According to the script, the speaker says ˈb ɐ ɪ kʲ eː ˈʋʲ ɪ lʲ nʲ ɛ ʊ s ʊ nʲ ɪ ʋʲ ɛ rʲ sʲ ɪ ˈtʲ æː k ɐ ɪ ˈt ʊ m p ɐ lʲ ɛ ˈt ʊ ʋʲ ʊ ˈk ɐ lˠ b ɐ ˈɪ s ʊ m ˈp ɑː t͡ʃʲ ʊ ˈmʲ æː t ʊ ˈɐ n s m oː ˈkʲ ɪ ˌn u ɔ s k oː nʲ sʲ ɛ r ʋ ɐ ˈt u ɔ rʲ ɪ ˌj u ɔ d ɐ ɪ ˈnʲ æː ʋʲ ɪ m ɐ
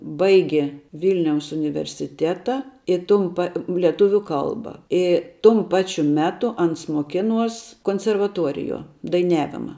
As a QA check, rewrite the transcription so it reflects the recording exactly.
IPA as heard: ˈb ɐ ɪ ɡʲ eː ˈʋʲ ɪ lʲ nʲ ɛ ʊ s ʊ nʲ ɪ ʋʲ ɛ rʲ sʲ ɪ ˈtʲ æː t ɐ ɪ ˈt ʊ m p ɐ lʲ ɛ ˈt ʊ ʋʲ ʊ ˈk ɐ lˠ b ɐ ˈɪ t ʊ m ˈp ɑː t͡ʃʲ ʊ ˈmʲ æː t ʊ ˈɐ n s m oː ˈkʲ ɪ ˌn u ɔ s k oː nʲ sʲ ɛ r ʋ ɐ ˈt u ɔ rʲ ɪ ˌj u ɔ d ɐ ɪ ˈnʲ æː ʋʲ ɪ m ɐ